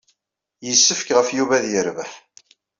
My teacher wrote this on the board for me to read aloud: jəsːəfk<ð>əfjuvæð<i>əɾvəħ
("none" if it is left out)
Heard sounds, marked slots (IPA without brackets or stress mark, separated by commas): ʁ, j